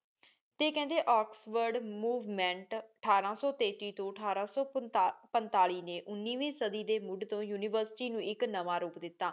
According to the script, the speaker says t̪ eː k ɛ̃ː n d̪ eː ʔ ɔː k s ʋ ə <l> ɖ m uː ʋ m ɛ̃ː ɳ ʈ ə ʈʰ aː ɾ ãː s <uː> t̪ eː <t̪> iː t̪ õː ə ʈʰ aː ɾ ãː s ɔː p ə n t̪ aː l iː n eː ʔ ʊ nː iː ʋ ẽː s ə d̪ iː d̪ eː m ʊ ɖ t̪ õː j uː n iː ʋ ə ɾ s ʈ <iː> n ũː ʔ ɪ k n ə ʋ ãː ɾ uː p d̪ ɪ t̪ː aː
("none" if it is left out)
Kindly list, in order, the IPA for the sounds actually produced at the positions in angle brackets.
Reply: ɾ, ɔː, t̪, iː

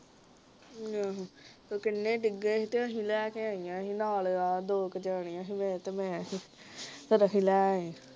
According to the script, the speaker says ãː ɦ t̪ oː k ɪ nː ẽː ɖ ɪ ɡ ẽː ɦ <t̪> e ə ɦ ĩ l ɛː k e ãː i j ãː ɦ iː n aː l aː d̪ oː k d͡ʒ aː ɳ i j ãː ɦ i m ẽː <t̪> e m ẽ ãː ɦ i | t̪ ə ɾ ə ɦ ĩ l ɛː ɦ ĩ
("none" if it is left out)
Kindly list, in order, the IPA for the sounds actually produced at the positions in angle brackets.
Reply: t̪, t̪

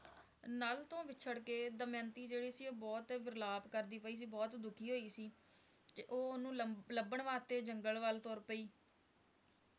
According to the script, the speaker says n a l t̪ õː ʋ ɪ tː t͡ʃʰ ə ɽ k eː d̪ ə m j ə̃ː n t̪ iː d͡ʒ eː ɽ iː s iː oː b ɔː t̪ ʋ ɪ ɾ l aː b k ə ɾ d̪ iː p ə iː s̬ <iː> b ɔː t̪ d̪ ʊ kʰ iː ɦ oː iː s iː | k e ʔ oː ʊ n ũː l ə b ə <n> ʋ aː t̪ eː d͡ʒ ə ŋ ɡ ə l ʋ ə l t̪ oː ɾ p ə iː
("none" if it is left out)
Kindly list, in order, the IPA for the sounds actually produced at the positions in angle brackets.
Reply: iː, ɳ

